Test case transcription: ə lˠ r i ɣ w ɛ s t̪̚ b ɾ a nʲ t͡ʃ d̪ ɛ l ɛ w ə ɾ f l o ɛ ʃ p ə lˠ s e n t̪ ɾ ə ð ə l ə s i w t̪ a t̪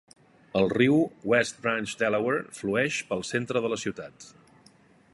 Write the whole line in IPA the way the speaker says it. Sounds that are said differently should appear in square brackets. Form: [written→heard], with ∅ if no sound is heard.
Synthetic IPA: ə lˠ r i [ɣ→w] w ɛ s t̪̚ b ɾ a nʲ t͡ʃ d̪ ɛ l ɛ w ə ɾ f l [o→u] ɛ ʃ p ə lˠ s e n t̪ ɾ ə ð ə l ə s i w t̪ a t̪